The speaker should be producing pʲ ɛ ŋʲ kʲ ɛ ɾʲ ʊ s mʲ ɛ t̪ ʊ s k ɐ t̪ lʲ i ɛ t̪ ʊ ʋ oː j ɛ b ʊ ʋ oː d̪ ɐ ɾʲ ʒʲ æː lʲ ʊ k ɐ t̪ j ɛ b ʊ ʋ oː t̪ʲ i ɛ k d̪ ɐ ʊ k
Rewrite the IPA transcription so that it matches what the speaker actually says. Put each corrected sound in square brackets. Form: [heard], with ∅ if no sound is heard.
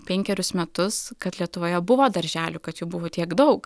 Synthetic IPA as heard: pʲ ɛ ŋʲ kʲ ɛ ɾʲ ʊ s mʲ ɛ t̪ ʊ s k ɐ t̪ lʲ i ɛ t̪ ʊ ʋ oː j ɛ b ʊ ʋ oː d̪ ɐ ɾʲ ʒʲ æː lʲ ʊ k ɐ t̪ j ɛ b ʊ ʋ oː t̪ʲ i ɛ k d̪ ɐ ʊ k